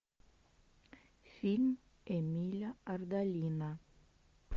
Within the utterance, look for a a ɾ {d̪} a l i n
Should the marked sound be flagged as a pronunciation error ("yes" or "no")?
no